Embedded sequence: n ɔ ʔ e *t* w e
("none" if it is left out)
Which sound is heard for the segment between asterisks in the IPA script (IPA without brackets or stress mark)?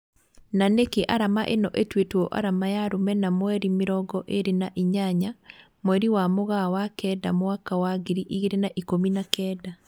t